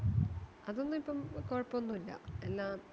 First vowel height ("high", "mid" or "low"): low